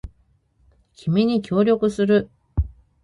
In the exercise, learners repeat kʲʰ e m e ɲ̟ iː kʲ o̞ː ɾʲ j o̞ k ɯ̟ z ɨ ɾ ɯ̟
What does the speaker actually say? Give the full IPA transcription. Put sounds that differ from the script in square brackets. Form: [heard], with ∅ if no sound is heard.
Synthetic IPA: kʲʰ [i] m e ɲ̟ [i] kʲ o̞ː ɾʲ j o̞ k ɯ̟ [s] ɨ ɾ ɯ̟